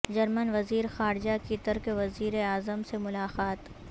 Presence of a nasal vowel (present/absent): absent